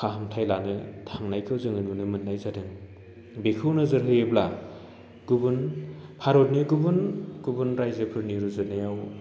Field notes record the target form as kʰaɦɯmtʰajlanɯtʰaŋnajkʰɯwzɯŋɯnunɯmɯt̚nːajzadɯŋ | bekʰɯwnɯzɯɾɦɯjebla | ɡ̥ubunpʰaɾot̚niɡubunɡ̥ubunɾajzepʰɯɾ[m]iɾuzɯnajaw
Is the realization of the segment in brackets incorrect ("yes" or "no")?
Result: yes